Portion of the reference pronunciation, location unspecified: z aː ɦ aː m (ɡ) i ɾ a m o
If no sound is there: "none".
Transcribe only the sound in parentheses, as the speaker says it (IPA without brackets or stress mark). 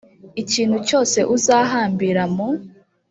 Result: b